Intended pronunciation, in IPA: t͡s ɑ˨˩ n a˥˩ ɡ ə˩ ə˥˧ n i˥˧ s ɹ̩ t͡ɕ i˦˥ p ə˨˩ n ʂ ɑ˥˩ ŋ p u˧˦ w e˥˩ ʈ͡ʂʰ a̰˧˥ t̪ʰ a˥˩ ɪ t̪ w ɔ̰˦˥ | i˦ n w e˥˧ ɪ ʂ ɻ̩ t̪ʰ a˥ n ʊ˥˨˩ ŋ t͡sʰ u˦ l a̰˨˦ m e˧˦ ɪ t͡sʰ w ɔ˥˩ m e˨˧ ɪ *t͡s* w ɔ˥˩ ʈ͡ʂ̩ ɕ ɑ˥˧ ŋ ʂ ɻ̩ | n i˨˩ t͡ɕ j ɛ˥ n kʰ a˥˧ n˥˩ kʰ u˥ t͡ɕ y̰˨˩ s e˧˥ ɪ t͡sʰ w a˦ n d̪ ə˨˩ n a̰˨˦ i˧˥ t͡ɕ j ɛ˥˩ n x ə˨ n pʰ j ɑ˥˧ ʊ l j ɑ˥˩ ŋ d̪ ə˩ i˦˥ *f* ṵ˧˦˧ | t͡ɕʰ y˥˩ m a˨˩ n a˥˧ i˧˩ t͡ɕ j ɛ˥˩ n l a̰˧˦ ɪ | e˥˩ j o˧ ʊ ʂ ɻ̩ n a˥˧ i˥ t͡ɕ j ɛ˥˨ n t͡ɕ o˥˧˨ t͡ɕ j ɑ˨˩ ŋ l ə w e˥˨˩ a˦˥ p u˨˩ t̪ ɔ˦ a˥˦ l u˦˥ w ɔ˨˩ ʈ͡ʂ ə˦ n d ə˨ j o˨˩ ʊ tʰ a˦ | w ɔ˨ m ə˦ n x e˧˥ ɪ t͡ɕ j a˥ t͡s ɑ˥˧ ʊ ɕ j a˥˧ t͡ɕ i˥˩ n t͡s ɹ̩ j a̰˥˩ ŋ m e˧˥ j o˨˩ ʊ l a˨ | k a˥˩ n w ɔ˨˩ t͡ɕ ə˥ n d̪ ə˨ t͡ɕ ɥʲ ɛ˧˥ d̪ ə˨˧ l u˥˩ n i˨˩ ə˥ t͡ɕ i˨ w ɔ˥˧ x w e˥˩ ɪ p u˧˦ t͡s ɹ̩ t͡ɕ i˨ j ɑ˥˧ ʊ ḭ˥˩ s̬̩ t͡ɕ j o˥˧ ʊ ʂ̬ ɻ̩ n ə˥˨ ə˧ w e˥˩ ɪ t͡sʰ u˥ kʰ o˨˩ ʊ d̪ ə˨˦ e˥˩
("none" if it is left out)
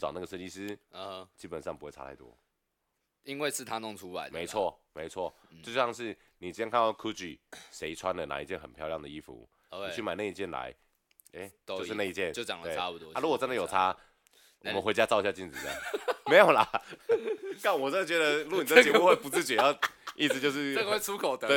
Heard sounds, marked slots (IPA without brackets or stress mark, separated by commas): t͡sʰ, f